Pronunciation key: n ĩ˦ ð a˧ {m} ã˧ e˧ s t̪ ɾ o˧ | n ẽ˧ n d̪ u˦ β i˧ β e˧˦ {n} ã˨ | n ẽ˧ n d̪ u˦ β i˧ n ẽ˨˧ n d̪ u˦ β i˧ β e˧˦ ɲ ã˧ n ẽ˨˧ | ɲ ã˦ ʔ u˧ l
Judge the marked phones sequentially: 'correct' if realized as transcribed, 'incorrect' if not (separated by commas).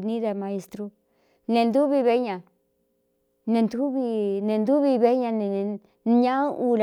correct, incorrect